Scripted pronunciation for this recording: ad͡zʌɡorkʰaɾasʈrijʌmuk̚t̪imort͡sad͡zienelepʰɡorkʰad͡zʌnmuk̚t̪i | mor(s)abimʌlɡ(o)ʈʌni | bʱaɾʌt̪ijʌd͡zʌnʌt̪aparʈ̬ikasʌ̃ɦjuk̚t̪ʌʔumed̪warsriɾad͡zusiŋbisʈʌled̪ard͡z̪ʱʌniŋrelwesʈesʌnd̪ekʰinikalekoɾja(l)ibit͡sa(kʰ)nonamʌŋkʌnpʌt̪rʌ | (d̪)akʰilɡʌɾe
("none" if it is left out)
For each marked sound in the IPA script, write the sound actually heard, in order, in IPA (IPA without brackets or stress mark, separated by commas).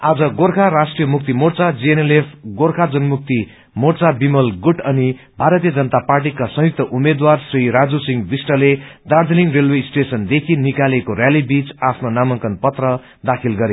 t͡s, u, l, pʰ, d̪